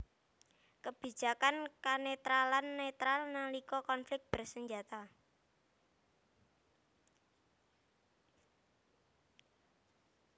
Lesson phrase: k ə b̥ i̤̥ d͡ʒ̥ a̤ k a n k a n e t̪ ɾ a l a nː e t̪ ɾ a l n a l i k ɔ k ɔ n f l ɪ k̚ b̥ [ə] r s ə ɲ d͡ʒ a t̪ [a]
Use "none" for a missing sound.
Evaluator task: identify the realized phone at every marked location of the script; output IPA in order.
ə, a

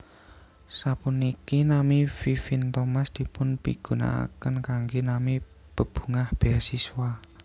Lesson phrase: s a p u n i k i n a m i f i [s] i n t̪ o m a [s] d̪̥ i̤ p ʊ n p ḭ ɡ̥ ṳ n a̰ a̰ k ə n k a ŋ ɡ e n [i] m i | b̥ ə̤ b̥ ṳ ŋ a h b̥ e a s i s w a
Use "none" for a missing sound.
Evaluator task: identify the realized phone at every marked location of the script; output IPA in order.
f, s, a

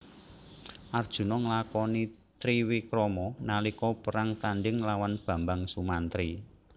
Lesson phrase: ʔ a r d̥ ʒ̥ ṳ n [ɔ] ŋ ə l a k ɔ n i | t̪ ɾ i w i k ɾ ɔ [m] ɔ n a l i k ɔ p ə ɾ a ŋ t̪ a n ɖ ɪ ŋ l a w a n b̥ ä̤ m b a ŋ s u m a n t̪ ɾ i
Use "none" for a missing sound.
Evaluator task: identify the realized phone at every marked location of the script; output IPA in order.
ɔ, m

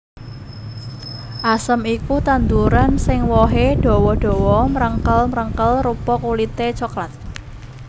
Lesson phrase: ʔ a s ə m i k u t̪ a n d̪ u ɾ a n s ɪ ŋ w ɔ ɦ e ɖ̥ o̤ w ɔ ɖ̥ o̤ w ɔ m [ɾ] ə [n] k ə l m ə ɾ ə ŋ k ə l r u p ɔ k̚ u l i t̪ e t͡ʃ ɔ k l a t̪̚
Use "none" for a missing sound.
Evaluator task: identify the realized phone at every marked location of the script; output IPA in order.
ɾ, ŋ

